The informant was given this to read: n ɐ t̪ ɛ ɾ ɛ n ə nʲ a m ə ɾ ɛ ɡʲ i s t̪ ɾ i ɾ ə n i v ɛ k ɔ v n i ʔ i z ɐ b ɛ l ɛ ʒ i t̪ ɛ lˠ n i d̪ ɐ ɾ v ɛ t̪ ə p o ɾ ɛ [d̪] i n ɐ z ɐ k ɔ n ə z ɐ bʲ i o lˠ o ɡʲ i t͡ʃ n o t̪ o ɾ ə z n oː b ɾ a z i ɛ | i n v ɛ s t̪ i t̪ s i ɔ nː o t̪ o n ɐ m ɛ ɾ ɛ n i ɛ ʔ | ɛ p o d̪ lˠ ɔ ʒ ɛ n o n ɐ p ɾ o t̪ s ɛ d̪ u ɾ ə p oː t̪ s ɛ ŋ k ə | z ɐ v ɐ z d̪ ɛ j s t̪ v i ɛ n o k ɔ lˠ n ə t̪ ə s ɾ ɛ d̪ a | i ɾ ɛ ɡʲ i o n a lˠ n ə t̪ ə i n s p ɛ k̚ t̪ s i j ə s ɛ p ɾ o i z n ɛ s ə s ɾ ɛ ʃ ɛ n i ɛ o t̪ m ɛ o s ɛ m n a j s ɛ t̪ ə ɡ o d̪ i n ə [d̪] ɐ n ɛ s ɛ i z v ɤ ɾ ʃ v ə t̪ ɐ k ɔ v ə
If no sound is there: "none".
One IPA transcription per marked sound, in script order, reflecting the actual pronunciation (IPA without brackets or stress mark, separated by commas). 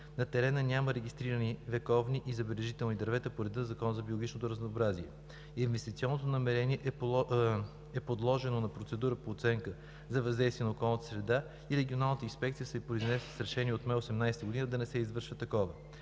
d̪, d̪